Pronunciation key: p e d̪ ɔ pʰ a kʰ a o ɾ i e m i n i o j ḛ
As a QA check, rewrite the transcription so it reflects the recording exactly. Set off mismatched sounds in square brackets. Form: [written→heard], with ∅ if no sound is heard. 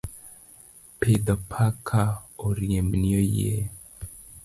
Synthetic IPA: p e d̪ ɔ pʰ a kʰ a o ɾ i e m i n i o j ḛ